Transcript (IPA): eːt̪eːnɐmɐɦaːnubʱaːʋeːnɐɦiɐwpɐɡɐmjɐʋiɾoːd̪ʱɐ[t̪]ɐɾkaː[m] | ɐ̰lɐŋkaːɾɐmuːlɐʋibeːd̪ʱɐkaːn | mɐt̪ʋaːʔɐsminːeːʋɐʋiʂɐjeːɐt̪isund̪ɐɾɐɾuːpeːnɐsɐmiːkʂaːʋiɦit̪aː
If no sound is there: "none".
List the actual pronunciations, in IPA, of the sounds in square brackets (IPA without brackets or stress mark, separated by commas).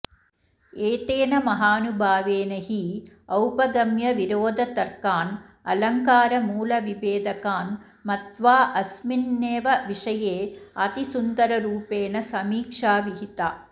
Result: t̪, n